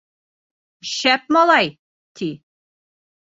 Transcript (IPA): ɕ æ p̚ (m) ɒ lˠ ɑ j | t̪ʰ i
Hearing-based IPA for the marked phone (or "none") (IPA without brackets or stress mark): m